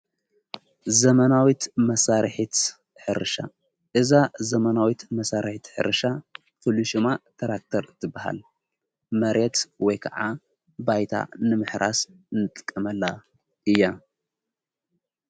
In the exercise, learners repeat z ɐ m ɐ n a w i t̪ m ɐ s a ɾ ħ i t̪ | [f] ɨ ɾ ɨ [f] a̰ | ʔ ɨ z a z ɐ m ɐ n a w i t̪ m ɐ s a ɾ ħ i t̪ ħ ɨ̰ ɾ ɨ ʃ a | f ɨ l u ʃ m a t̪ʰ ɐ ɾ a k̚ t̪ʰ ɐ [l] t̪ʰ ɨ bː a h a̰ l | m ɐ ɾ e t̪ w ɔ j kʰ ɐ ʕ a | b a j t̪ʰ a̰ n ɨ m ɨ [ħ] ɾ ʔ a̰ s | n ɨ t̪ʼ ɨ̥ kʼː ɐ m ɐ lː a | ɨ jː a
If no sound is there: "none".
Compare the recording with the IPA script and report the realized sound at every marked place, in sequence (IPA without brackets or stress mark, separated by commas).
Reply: ħ, ʃ, ɾ, ħ